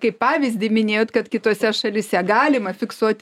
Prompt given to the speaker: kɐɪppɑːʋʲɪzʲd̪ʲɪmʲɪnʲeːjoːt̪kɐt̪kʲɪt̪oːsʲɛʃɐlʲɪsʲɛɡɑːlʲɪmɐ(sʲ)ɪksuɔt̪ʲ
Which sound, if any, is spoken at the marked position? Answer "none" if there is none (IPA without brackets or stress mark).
fʲ